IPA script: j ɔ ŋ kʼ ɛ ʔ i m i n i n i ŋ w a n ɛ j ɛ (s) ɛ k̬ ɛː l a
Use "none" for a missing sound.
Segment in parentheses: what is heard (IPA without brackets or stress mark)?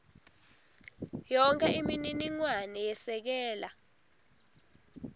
s